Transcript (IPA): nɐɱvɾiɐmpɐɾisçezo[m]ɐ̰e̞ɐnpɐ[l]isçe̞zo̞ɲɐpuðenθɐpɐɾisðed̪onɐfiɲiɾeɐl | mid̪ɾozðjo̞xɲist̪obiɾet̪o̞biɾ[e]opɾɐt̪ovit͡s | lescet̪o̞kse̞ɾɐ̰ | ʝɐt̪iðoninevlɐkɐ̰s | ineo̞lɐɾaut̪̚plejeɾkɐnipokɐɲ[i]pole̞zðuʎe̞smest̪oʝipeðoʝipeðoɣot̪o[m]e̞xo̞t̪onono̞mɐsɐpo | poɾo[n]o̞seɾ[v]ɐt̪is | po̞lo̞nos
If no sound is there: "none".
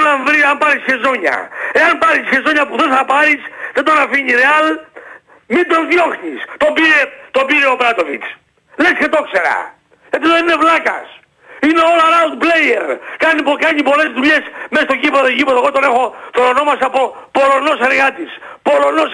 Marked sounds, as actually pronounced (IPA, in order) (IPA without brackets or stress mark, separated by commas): ɲ, ɾ, e, i, n, n, ɣ